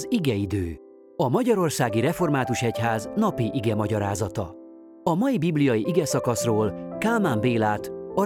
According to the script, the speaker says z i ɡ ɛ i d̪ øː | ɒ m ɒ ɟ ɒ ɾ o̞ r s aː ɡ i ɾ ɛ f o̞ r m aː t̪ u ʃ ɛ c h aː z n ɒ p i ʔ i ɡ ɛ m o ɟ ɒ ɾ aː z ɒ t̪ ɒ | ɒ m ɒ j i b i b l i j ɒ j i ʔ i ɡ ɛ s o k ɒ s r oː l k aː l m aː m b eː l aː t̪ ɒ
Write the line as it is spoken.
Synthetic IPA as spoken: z i ɡ ɛ i d̪ øː | ɒ m ɒ ɟ ɒ ɾ o̞ r s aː ɡ i ɾ ɛ f o̞ r m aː t̪ u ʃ ɛ c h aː z n ɒ p i ʔ i ɡ ɛ m ɒ ɟ ɒ ɾ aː z ɒ t̪ ɒ | ɒ m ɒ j i b i b l i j ɒ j i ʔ i ɡ ɛ s ɒ k ɒ s r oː l k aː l m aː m b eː l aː t̪ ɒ